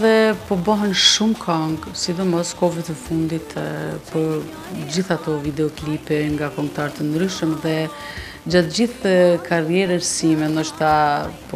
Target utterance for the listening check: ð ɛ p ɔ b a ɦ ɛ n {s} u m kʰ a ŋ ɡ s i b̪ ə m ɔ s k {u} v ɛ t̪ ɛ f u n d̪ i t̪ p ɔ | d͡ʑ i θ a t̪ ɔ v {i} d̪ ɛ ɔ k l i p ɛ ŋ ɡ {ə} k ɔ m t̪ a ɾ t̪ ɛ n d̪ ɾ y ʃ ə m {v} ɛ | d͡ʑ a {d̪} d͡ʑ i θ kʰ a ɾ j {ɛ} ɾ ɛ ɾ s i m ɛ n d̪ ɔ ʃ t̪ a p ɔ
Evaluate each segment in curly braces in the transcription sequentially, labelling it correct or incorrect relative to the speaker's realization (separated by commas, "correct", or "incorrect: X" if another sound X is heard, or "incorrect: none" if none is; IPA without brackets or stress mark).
incorrect: ʃ, incorrect: ɔ, correct, incorrect: a, incorrect: ð, incorrect: t̪, correct